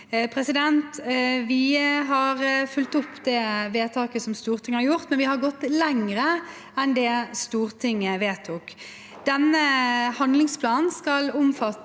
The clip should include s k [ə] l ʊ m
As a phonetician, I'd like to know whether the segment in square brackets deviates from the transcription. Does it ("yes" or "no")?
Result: yes